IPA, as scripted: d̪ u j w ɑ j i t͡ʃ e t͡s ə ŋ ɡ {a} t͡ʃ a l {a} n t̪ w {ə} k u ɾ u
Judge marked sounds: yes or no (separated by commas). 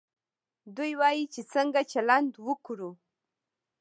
yes, yes, yes